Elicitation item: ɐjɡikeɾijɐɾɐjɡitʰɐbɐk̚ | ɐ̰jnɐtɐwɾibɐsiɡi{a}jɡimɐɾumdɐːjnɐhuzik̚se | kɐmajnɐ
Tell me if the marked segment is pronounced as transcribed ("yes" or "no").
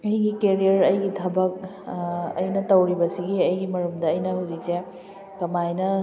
no